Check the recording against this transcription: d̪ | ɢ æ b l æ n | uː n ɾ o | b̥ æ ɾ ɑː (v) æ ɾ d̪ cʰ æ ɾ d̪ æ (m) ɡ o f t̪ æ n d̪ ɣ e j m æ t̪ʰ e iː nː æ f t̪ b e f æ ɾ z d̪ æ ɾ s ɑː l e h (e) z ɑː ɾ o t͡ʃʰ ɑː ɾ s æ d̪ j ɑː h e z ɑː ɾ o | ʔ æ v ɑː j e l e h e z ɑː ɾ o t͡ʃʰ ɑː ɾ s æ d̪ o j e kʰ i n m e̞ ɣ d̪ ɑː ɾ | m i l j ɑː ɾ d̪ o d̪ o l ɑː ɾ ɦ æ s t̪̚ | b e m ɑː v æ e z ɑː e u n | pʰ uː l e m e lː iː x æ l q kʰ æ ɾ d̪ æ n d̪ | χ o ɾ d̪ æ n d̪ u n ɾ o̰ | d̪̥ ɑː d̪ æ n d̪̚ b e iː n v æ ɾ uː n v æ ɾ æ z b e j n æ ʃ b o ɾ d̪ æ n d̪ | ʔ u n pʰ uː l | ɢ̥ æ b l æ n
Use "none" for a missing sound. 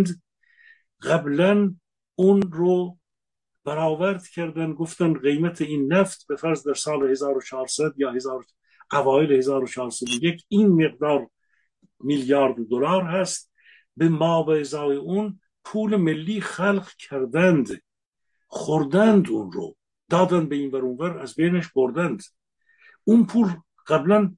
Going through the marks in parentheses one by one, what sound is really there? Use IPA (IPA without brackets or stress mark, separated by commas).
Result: v, n, e